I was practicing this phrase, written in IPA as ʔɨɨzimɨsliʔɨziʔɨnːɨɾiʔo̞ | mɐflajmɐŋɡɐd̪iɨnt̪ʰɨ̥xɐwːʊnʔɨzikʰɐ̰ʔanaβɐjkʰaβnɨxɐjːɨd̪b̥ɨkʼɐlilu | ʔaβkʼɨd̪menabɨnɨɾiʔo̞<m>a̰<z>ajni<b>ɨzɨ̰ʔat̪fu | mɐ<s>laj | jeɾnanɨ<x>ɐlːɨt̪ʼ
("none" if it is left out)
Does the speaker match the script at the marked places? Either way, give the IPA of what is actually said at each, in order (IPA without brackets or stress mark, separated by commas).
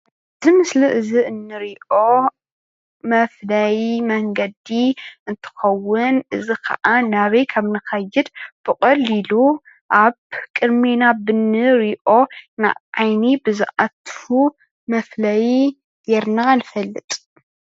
n, ʕ, b, f, f